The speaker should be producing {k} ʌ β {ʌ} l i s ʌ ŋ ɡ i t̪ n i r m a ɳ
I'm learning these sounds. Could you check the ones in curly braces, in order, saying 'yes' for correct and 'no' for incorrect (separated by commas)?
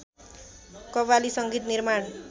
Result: yes, no